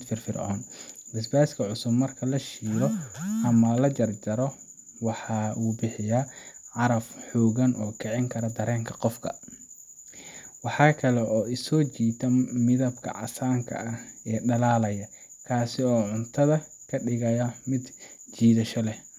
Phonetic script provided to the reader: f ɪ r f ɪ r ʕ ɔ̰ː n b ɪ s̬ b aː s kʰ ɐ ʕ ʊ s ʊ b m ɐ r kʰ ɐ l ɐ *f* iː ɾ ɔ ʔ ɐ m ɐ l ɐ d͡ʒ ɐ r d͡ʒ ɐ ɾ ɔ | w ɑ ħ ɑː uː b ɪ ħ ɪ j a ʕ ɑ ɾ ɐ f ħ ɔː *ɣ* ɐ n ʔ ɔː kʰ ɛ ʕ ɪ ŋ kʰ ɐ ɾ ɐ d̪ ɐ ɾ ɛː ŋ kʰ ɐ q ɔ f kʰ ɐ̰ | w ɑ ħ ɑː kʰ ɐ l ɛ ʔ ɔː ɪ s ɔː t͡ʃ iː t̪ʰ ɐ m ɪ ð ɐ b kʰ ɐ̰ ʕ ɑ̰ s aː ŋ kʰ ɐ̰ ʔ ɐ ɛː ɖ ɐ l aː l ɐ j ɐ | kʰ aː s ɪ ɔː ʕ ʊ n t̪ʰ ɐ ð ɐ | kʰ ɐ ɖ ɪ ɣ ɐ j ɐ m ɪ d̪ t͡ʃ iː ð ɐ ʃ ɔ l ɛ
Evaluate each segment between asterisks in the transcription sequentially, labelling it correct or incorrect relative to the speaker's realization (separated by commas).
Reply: incorrect, correct